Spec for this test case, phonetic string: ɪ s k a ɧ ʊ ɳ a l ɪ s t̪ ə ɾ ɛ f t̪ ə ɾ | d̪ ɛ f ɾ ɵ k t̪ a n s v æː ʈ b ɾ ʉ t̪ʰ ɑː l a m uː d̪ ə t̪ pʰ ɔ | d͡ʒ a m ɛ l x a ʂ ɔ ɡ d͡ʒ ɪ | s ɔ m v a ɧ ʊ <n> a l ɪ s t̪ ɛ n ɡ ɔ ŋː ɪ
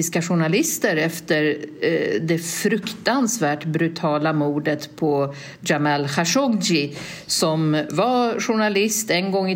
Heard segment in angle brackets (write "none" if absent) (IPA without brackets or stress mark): ɳ